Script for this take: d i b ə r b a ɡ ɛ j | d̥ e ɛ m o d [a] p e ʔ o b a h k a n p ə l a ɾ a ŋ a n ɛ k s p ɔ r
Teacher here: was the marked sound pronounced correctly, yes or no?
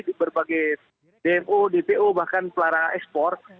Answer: no